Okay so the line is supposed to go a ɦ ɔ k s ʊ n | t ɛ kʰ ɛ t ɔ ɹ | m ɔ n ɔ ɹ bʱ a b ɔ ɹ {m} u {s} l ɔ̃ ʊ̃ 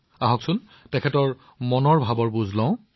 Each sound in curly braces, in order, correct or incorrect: incorrect, incorrect

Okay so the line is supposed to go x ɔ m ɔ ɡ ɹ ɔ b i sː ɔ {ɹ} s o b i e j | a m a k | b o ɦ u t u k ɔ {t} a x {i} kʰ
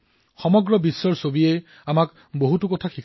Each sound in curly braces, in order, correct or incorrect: correct, incorrect, correct

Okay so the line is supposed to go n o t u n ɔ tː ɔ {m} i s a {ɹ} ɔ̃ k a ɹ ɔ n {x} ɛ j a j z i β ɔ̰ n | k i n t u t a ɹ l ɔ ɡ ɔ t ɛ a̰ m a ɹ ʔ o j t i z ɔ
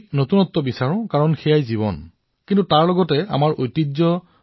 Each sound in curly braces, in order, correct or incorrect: incorrect, correct, correct

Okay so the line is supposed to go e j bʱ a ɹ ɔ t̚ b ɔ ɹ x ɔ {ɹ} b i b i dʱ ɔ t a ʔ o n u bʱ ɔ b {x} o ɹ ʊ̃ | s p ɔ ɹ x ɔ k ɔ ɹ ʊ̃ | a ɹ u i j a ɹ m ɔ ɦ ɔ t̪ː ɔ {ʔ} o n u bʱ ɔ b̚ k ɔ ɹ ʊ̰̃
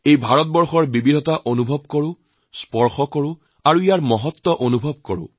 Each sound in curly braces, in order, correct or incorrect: correct, incorrect, correct

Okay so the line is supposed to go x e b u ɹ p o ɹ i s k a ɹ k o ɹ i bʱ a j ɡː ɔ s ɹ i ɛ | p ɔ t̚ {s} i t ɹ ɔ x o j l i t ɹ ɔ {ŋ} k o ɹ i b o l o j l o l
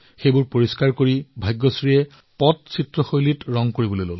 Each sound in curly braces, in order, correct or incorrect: correct, correct

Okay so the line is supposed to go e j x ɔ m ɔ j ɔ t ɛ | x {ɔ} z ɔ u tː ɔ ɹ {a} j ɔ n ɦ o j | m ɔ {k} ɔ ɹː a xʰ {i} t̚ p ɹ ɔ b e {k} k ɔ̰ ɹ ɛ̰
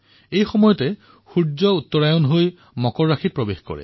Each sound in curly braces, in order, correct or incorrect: incorrect, correct, correct, correct, incorrect

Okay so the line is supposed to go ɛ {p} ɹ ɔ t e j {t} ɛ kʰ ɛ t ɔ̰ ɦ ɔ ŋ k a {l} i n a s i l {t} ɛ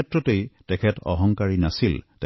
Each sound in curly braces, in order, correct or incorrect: incorrect, correct, incorrect, correct

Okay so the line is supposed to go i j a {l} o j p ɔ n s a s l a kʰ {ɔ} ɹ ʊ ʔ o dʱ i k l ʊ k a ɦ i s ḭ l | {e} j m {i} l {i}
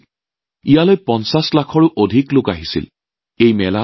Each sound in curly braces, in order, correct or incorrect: correct, correct, correct, incorrect, incorrect

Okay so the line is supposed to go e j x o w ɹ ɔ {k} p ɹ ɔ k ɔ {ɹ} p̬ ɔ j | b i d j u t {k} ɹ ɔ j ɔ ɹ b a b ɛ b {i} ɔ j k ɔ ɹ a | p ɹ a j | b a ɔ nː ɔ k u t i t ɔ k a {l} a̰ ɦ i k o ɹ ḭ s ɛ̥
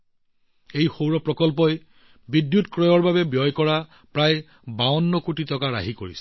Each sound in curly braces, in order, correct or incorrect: incorrect, incorrect, correct, incorrect, incorrect

